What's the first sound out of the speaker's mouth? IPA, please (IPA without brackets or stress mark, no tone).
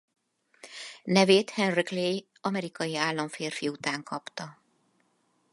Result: n